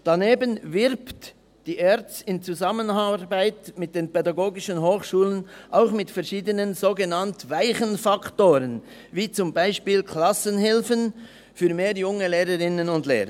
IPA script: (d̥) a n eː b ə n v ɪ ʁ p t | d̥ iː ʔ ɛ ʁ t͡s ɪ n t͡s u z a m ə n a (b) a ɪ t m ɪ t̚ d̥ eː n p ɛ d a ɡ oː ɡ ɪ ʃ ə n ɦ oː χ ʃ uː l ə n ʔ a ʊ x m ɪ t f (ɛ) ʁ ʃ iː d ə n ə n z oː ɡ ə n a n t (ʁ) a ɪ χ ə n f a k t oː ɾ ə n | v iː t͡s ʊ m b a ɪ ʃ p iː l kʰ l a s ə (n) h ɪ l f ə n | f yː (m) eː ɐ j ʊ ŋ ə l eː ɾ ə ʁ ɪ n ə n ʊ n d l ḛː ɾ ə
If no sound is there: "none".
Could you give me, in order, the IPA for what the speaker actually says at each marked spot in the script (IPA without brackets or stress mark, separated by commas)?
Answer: d̥, b, ɛ, v, n, m